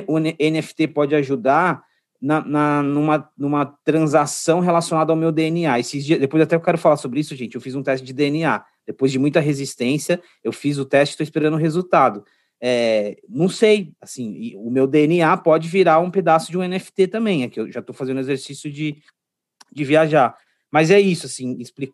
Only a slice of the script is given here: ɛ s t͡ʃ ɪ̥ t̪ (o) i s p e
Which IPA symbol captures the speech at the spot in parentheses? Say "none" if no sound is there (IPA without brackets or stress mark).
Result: o